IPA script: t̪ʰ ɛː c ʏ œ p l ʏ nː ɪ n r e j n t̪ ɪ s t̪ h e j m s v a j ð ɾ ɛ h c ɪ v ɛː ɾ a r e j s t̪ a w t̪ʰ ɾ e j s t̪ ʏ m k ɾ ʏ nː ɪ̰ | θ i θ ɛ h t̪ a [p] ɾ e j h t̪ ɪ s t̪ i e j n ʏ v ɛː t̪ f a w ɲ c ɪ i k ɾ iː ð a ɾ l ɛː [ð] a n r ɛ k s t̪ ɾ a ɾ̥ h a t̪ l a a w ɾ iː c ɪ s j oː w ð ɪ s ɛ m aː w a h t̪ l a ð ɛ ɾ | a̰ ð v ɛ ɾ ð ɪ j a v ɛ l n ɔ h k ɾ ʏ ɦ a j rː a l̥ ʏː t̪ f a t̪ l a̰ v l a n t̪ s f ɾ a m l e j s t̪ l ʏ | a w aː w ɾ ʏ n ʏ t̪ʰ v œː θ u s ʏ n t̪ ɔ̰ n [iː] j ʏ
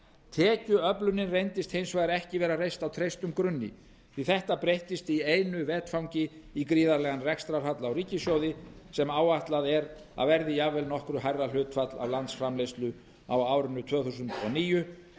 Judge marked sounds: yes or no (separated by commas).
yes, no, yes